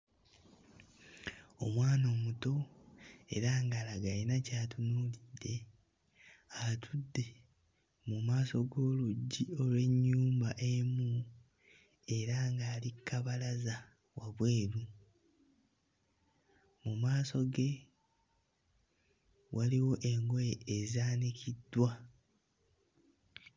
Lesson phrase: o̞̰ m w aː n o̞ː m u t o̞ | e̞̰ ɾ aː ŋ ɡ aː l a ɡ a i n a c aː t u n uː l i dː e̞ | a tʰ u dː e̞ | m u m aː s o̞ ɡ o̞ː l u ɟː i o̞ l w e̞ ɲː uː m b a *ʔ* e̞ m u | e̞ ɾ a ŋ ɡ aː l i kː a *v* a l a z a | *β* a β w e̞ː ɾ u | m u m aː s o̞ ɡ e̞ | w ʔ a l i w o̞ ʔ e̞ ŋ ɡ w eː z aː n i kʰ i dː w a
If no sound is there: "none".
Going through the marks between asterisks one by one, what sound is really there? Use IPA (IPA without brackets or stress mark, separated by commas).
ʔ, β, w